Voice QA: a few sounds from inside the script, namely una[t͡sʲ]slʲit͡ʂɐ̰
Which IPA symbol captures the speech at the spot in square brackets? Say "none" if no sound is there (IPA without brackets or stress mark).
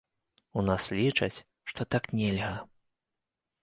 none